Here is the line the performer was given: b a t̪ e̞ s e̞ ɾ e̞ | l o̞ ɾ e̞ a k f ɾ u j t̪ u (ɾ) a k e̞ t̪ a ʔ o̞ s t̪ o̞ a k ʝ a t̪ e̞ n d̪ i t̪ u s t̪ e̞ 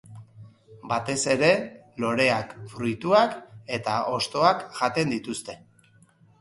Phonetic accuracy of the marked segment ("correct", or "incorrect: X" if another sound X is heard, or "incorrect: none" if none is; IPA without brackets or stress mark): incorrect: none